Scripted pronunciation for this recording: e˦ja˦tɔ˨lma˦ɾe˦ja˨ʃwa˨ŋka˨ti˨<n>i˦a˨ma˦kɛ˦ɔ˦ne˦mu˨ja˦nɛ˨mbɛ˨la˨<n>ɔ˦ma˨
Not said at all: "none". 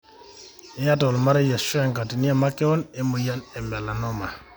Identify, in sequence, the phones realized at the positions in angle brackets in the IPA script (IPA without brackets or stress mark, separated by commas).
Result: n, n